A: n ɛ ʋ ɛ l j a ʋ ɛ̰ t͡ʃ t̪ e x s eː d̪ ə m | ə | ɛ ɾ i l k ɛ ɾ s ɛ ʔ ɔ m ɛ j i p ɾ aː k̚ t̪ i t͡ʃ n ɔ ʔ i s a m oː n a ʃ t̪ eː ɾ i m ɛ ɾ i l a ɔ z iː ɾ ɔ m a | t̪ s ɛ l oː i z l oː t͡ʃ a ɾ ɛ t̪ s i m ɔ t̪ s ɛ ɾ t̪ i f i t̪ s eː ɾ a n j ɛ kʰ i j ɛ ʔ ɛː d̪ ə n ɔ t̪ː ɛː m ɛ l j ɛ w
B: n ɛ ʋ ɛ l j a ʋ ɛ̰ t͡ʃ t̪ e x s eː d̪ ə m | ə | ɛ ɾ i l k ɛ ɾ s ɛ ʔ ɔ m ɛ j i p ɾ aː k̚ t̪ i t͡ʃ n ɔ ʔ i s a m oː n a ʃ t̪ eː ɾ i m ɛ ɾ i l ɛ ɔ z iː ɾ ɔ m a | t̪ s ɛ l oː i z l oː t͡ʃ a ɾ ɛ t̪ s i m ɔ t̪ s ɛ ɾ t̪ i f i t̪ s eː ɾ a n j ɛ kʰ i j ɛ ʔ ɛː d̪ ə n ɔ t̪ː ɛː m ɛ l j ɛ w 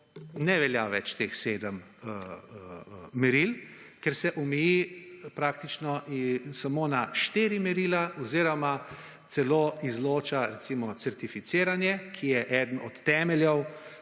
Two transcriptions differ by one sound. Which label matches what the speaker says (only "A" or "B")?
A